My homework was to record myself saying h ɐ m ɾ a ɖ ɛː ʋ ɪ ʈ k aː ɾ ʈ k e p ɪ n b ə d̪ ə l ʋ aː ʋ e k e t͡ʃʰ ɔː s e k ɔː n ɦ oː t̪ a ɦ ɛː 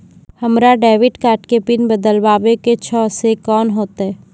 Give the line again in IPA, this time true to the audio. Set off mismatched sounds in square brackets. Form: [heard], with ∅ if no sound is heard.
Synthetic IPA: h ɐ m ɾ a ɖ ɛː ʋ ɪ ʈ k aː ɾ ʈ k e p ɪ n b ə d̪ ə l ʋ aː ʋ e k e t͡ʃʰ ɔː s e k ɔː n ɦ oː t̪ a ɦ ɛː